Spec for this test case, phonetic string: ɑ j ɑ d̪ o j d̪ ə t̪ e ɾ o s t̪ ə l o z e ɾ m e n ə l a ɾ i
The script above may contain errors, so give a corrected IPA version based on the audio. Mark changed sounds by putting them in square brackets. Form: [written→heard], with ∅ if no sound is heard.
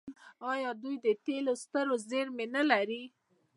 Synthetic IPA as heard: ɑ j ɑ d̪ [o→u] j d̪ ə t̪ e [ɾ→l] o s t̪ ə [l→ɾ] o z e ɾ m e n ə l a ɾ i